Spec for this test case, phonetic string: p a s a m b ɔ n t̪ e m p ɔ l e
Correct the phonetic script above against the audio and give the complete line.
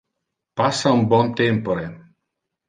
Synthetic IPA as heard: p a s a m b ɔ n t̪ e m p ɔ ɾ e